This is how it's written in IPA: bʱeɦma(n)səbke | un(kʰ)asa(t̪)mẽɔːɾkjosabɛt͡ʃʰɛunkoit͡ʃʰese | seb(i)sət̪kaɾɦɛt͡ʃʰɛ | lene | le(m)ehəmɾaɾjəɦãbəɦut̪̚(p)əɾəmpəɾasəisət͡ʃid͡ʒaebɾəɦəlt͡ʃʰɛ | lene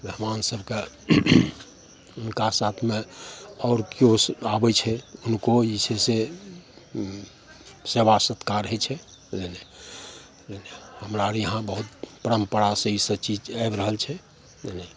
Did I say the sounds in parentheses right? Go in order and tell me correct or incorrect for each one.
correct, incorrect: k, incorrect: t̪ʰ, incorrect: a, incorrect: n, correct

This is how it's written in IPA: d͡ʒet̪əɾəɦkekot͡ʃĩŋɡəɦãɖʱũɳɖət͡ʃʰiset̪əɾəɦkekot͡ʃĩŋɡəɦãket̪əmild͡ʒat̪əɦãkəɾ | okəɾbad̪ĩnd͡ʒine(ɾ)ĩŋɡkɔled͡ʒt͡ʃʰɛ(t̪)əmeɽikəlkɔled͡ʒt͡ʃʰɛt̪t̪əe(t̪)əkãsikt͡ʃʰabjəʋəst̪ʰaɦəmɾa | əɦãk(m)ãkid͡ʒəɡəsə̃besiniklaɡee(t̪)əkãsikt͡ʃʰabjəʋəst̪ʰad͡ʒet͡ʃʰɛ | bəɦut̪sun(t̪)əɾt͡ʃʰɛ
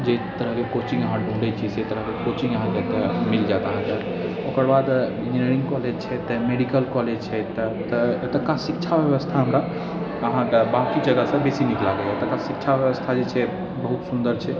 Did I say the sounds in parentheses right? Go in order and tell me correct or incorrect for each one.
correct, correct, correct, incorrect: b, correct, incorrect: d̪

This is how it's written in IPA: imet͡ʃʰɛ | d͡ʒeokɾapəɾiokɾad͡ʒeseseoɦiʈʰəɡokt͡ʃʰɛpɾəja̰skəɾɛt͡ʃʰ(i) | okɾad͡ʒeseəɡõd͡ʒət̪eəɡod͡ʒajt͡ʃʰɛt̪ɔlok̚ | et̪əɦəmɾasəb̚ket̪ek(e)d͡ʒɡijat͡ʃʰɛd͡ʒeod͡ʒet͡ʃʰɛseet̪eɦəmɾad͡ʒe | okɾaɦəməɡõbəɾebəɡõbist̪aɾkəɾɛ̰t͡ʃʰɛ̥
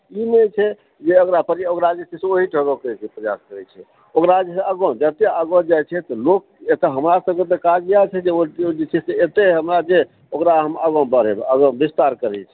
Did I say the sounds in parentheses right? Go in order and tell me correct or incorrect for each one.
incorrect: ɛ, incorrect: a

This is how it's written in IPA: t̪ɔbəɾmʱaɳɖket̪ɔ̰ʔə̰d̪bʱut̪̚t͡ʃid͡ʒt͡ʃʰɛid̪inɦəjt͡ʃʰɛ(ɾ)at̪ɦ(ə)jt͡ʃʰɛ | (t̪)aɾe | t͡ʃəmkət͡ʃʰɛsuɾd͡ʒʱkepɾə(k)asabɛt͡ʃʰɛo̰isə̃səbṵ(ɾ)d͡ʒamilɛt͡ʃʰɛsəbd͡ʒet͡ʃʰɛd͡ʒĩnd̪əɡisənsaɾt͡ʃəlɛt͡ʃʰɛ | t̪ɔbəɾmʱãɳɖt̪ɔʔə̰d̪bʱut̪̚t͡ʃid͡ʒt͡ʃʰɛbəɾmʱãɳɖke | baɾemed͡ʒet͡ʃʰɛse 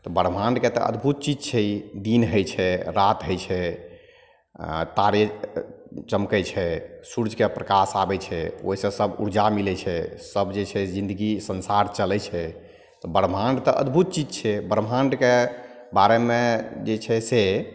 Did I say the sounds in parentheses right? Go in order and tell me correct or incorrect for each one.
correct, correct, correct, correct, correct

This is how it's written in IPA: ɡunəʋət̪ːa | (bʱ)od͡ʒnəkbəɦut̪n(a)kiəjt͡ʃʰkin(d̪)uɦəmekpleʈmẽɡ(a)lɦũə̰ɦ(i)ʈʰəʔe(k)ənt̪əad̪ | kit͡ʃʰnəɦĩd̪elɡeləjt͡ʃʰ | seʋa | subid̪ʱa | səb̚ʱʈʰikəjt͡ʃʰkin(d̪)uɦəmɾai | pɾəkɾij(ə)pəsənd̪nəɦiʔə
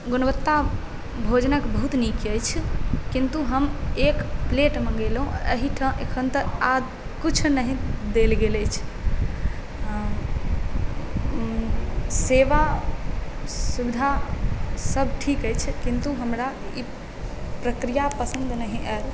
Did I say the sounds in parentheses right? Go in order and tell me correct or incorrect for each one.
correct, incorrect: i, incorrect: t̪, incorrect: e, correct, incorrect: kʰ, incorrect: t̪, incorrect: a

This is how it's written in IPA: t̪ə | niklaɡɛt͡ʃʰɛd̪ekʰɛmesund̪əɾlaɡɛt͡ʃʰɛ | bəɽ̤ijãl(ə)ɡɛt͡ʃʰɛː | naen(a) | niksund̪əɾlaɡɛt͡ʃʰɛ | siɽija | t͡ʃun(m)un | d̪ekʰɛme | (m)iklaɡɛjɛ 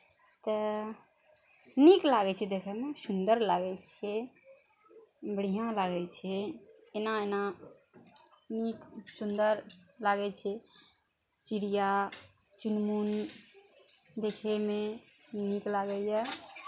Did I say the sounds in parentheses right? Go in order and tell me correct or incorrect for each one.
incorrect: a, correct, correct, incorrect: n

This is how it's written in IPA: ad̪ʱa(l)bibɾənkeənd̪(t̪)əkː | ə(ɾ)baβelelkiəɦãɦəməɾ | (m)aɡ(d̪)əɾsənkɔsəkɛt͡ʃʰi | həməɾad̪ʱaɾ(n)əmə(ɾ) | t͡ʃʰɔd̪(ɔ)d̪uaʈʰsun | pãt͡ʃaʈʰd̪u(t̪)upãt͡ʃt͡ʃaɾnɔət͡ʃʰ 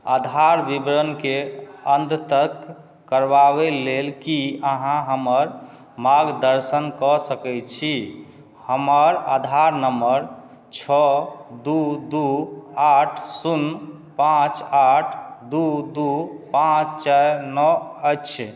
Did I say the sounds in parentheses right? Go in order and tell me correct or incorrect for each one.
incorrect: ɾ, correct, correct, correct, correct, correct, correct, incorrect: u, incorrect: d̪

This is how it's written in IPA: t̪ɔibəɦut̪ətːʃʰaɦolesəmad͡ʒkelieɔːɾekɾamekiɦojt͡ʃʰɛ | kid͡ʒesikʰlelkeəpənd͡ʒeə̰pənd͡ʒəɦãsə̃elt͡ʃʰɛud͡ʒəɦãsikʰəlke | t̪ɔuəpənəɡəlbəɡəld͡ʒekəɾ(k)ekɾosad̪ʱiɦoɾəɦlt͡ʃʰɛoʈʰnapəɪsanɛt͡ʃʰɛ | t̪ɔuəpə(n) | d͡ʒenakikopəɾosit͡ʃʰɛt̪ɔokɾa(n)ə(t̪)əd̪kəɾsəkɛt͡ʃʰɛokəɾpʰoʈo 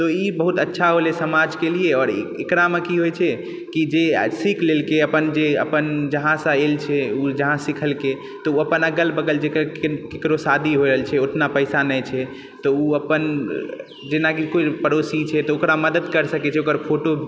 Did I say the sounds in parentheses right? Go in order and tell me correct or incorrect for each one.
correct, correct, incorrect: m, incorrect: d̪

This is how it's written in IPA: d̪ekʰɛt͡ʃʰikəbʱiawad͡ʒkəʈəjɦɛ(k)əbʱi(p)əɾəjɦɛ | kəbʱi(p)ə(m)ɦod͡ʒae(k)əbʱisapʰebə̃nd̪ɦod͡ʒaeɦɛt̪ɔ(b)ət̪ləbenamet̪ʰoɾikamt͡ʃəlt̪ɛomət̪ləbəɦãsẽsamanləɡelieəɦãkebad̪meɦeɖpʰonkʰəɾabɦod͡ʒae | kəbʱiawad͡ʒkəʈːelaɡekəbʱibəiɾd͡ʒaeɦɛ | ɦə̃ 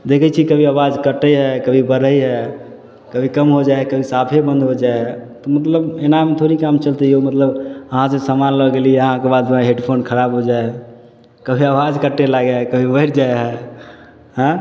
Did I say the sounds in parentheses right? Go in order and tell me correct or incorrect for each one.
correct, incorrect: b, incorrect: k, correct, correct, incorrect: m

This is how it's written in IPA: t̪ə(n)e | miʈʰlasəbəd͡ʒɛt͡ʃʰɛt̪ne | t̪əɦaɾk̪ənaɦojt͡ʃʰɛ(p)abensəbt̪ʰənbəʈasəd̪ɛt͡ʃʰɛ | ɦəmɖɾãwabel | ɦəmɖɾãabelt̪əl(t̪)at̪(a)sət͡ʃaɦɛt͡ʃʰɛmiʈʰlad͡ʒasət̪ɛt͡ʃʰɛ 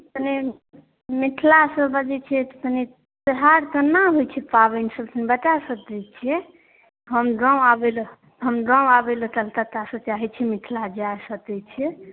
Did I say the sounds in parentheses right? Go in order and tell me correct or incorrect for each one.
correct, correct, correct, correct

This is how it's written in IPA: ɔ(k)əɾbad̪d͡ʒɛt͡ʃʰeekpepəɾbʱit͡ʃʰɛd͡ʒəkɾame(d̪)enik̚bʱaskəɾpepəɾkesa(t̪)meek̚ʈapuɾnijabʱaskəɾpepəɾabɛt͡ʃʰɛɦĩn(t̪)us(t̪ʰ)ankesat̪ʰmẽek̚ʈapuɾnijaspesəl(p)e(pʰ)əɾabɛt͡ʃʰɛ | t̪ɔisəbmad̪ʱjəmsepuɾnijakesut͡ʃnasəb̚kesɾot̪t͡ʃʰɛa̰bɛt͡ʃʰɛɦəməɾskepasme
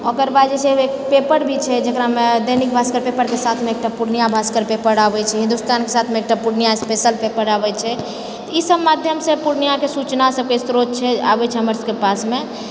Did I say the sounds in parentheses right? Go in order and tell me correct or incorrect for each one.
correct, correct, incorrect: t̪ʰ, incorrect: d̪, incorrect: t̪, correct, incorrect: p

